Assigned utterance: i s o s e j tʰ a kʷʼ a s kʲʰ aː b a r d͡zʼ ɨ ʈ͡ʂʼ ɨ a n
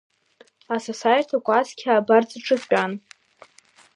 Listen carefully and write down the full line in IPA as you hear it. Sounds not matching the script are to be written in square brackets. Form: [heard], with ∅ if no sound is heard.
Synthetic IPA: [a] s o s [a] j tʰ a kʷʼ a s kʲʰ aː b a r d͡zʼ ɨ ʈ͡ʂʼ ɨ a n